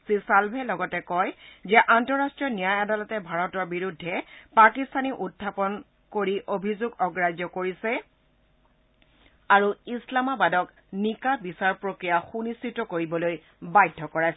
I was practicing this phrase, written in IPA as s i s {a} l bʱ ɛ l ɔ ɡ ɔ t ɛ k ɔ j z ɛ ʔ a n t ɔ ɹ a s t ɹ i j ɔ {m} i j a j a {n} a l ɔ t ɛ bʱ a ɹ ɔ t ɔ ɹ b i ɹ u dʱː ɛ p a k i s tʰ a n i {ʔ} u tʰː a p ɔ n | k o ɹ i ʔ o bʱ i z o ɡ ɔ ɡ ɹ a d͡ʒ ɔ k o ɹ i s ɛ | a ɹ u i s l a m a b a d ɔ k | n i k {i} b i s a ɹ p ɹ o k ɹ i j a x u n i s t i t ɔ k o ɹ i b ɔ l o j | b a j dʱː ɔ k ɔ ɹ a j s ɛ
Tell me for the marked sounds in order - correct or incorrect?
correct, incorrect, incorrect, correct, incorrect

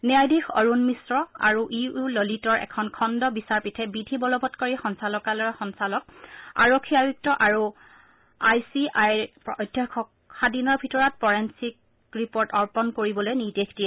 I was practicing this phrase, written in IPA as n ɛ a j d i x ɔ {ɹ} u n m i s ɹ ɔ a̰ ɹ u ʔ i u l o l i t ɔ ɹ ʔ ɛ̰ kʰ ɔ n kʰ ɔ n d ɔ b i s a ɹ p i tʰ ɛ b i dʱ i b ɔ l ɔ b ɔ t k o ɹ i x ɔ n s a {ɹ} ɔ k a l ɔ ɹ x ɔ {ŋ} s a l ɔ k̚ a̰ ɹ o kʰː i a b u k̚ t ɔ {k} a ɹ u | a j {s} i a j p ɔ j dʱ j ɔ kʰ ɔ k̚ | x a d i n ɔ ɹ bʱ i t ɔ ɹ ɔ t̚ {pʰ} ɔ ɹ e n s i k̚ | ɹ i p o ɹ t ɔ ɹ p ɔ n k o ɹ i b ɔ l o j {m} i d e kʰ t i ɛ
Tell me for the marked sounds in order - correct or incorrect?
correct, incorrect, incorrect, incorrect, correct, incorrect, incorrect

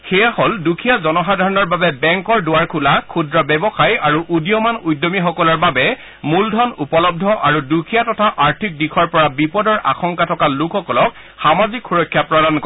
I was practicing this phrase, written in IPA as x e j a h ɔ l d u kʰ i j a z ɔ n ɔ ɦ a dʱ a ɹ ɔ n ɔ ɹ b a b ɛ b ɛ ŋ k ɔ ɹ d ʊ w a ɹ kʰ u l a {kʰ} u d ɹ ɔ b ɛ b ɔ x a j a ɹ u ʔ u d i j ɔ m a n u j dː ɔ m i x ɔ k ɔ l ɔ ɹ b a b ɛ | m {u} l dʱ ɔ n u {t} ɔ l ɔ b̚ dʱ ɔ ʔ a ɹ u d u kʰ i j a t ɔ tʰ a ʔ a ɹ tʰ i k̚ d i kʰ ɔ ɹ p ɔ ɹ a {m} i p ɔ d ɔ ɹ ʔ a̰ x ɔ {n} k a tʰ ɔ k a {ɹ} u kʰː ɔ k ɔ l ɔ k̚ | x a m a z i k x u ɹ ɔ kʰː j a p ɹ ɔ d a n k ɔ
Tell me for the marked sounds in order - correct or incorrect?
correct, correct, incorrect, incorrect, incorrect, incorrect

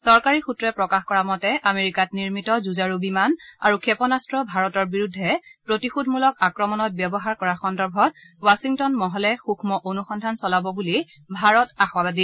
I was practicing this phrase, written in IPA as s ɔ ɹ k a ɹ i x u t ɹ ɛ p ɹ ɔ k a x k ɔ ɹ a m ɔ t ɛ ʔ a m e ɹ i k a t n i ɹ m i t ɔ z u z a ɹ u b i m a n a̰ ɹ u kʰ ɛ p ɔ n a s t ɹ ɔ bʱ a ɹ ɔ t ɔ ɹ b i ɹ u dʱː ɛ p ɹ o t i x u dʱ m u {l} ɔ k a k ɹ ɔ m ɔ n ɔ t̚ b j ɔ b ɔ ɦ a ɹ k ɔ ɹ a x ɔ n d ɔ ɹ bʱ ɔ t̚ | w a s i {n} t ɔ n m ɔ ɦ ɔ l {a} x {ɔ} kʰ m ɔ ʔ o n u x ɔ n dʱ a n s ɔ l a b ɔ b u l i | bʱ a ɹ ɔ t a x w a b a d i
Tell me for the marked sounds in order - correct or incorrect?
correct, incorrect, incorrect, incorrect

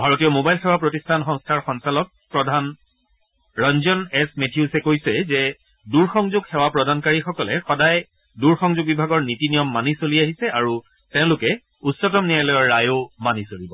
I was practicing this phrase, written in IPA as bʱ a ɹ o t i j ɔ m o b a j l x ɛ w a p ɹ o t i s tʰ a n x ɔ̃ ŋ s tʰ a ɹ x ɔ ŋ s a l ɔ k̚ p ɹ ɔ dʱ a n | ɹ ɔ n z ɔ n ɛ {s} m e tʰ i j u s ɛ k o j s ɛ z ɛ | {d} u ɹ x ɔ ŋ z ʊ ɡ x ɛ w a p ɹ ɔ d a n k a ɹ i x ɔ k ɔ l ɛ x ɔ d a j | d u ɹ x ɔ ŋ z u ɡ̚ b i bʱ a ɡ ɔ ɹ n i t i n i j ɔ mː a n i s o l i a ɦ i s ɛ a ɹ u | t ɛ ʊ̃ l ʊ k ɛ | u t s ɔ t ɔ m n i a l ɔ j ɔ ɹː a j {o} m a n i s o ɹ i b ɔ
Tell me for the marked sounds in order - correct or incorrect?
correct, correct, correct

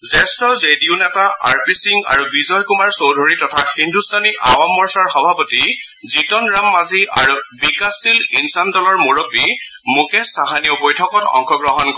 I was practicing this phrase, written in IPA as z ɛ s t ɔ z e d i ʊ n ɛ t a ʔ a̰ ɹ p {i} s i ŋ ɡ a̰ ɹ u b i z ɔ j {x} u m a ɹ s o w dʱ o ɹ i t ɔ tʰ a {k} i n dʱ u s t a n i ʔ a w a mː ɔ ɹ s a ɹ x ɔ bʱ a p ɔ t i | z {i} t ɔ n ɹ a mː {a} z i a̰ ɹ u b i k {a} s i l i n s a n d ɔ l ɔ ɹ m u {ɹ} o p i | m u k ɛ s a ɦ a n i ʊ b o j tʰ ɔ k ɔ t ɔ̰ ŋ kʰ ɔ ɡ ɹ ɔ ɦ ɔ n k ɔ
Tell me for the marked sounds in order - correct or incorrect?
correct, incorrect, incorrect, correct, correct, correct, correct

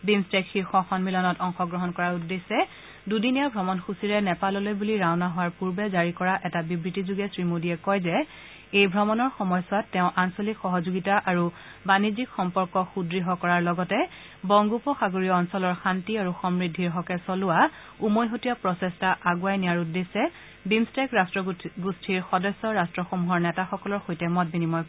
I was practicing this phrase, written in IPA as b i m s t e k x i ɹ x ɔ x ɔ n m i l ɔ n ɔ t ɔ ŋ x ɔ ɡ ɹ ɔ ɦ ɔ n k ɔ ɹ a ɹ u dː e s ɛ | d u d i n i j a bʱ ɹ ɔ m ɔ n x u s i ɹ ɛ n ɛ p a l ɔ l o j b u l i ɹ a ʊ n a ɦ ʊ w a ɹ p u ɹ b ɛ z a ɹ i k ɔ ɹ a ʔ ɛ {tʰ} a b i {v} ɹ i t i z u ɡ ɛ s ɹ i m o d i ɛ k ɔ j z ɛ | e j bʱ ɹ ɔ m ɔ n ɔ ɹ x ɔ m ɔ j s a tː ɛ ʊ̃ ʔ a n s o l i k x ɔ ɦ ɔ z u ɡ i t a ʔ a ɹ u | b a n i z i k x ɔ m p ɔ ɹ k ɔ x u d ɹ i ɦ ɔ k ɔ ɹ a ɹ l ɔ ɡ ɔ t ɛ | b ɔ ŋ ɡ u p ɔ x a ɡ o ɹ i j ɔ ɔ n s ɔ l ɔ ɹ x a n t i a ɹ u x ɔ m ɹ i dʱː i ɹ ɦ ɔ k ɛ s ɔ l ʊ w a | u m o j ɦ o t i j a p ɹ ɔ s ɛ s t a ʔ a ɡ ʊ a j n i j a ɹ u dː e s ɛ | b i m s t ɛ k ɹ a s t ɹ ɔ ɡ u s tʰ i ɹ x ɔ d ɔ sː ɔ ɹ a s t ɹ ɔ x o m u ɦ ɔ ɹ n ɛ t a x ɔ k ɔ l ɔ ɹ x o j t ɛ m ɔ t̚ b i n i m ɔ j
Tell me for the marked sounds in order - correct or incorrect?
incorrect, incorrect

